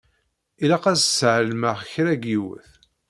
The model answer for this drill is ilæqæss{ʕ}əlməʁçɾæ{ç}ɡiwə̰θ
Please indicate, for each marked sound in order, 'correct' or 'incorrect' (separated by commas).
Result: correct, incorrect